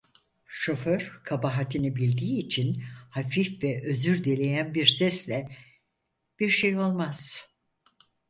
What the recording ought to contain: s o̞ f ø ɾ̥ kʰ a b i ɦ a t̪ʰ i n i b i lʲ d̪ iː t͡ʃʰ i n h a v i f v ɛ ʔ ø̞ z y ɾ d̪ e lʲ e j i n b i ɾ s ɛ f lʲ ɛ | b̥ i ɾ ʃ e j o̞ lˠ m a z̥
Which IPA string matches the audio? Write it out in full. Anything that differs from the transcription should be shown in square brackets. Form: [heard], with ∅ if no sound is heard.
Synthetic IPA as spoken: [ʃ] o̞ f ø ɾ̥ kʰ a b [a] ɦ a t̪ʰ i n i b i lʲ d̪ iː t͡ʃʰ i n h a [f] i f v ɛ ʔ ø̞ z y ɾ d̪ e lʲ e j [æ] n b i ɾ s ɛ [s] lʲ ɛ | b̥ i ɾ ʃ e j o̞ lˠ m a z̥